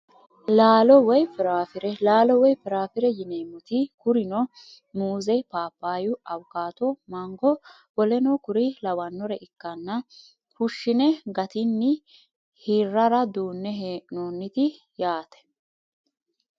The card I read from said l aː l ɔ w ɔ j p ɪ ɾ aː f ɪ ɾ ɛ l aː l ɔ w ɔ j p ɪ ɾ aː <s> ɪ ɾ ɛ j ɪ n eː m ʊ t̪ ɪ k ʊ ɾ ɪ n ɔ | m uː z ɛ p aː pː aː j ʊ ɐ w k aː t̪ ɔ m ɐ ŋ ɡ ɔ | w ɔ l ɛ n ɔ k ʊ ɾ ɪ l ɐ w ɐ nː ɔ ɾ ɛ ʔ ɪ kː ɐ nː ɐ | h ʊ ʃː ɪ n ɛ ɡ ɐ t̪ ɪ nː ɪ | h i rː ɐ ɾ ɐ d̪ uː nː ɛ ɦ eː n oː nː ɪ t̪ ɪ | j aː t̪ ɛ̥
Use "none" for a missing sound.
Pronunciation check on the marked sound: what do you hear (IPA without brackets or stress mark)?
f